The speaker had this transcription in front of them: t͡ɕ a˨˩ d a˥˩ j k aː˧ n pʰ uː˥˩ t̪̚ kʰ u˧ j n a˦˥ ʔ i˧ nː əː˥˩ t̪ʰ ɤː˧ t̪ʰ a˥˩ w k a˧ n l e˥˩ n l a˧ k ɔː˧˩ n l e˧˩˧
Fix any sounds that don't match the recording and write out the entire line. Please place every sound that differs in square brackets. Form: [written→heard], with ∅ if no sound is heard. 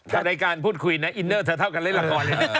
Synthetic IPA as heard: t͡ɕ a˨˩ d [a˥˩→a˧] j k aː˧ n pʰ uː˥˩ t̪̚ kʰ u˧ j n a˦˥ ʔ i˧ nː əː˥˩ t̪ʰ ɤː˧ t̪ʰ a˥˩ w k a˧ n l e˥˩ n l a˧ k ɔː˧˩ n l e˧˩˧